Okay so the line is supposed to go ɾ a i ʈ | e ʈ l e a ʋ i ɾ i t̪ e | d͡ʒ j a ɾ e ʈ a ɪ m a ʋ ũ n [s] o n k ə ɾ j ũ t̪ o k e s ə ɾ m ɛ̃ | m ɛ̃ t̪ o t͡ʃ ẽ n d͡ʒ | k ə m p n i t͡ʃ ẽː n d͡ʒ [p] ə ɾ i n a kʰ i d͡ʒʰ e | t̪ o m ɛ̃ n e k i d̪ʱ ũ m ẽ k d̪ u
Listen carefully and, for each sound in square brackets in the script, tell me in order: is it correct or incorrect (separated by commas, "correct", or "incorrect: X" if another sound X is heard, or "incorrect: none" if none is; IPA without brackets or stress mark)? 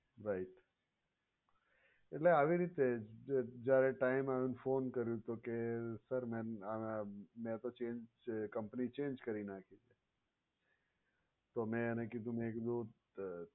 incorrect: f, incorrect: k